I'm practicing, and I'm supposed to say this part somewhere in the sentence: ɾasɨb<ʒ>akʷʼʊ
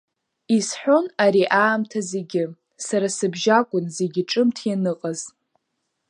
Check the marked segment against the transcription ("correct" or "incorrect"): correct